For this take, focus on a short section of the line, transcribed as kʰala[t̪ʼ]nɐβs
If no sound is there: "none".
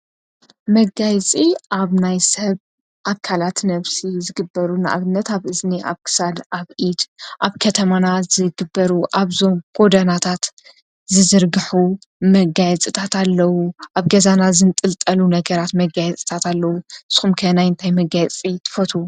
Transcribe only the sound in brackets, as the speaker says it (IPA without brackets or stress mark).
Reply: t̪